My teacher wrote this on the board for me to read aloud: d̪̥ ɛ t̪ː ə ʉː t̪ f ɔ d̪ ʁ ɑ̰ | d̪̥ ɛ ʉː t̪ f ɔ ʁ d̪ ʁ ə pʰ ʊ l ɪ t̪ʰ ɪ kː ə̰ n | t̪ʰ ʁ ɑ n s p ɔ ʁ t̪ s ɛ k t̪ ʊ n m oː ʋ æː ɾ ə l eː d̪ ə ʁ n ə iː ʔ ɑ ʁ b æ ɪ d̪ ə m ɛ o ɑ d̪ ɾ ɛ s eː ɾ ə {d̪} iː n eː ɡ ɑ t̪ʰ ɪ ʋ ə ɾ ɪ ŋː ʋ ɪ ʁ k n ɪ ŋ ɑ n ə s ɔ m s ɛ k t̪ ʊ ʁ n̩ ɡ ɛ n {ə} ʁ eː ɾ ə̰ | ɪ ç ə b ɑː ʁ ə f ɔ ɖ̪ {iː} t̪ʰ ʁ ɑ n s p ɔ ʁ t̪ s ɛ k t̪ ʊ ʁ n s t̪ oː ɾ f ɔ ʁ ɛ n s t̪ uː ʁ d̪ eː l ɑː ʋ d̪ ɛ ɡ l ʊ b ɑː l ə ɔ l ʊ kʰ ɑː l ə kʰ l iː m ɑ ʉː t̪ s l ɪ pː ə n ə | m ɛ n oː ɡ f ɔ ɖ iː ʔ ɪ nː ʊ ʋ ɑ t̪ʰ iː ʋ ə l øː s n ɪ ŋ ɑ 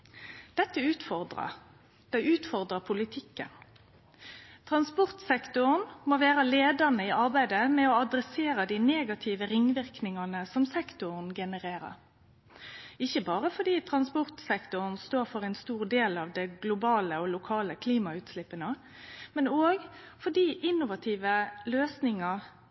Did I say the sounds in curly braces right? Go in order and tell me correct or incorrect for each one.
correct, correct, correct

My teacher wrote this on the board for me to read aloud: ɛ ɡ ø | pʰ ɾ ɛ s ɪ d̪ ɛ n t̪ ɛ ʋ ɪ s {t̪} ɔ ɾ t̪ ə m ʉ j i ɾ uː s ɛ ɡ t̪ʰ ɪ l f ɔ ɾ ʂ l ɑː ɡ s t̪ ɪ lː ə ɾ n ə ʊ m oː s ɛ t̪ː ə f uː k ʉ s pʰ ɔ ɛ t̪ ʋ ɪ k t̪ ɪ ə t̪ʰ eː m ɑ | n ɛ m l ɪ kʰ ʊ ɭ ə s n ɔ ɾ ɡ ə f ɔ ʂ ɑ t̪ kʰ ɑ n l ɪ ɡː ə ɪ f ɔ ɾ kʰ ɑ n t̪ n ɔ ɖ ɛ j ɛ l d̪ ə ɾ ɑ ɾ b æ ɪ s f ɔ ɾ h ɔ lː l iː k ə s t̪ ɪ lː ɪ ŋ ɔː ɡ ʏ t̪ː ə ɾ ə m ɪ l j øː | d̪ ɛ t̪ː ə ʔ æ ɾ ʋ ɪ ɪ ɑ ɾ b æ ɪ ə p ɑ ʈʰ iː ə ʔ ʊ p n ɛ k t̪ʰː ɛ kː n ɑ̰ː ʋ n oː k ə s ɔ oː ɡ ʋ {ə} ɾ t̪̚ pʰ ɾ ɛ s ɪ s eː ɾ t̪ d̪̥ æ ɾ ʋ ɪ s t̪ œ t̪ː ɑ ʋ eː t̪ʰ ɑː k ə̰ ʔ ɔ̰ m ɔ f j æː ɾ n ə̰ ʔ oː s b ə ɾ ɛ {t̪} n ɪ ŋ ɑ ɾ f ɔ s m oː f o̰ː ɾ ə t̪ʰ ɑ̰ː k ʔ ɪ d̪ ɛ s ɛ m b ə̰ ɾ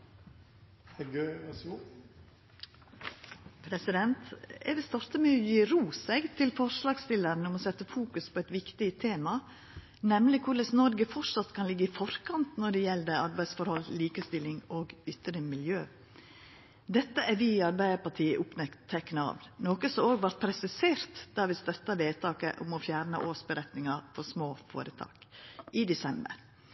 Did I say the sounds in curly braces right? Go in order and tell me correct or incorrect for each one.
correct, incorrect: ɑ, correct

